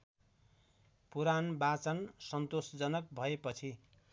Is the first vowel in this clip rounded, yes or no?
yes